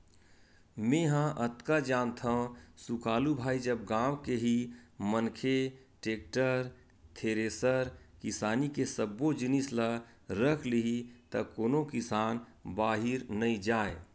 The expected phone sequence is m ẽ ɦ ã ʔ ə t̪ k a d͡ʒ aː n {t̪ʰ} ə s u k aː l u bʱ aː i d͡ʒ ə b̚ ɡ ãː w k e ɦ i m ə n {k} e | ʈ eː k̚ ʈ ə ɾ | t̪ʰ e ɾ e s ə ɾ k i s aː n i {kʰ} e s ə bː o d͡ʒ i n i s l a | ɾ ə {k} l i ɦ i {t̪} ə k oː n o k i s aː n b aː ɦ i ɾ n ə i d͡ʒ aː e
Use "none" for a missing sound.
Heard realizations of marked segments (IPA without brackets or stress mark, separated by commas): t̪ʰ, kʰ, k, kʰ, t̪